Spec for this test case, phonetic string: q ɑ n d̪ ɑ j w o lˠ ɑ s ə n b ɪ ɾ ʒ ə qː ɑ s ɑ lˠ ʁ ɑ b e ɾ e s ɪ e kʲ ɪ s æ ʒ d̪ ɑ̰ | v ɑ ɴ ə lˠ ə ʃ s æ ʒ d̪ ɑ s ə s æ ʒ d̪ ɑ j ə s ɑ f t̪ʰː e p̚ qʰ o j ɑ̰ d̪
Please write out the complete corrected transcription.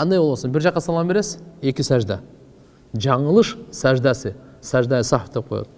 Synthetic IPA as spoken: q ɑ n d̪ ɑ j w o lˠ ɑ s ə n b ɪ ɾ ʒ ɑ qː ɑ s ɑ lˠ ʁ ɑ b e ɾ e s ɪ e kʲ ɪ s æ ʒ d̪ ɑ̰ | ʒ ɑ ɴ ə lˠ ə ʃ s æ ʒ d̪ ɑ s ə s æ ʒ d̪ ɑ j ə s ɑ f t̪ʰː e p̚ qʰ o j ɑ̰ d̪